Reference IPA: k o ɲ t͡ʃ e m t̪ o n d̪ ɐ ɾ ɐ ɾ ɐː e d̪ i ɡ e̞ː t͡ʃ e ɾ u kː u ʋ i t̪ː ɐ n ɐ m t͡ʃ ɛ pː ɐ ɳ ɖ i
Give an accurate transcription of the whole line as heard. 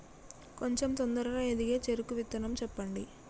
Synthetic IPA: k o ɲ t͡ʃ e m t̪ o n d̪ ɐ ɾ ɐ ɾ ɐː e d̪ i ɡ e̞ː t͡ʃ e ɾ u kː u ʋ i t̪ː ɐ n ɐ m t͡ʃ ɛ pː ɐ ɳ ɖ i